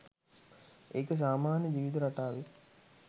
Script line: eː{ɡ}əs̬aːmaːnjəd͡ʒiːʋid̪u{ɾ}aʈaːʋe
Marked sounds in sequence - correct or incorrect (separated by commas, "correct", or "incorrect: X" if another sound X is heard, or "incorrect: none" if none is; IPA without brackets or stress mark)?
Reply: incorrect: k, correct